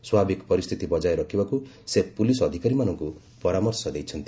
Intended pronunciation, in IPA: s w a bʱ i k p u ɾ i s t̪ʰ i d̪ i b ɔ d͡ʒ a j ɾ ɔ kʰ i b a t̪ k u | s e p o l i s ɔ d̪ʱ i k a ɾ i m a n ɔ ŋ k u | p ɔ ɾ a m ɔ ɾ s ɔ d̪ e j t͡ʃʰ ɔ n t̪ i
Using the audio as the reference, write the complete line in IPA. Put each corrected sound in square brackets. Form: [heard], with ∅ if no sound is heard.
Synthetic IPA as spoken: s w a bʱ i k p [ɔ] ɾ i s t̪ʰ i [t̪] i b ɔ d͡ʒ a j ɾ ɔ kʰ i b a [∅] k u | s e p [u] l i s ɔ d̪ʱ i k a ɾ i m a n ɔ ŋ k u | p ɔ ɾ a m ɔ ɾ s ɔ d̪ e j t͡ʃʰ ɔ n t̪ i